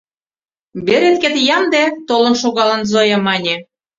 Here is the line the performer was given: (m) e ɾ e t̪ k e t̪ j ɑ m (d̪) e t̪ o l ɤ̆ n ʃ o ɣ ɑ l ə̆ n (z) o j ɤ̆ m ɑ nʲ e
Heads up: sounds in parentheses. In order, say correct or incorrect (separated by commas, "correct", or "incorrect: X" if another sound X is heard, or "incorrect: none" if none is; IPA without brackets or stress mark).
incorrect: b, correct, correct